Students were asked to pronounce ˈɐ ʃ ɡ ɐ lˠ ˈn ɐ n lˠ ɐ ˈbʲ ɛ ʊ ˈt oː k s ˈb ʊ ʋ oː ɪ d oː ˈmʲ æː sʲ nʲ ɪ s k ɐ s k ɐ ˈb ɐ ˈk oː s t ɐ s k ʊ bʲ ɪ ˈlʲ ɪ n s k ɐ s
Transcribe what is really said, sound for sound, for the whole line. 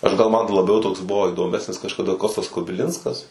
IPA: ˈɐ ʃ ɡ ɐ lˠ ˈm ɐ n lˠ ɐ ˈbʲ ɛ ʊ ˈt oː k s ˈb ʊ ʋ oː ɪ d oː ˈmʲ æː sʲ nʲ ɪ s k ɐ ʃ k ɐ ˈd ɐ ˈk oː s t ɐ s k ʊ bʲ ɪ ˈlʲ ɪ n s k ɐ s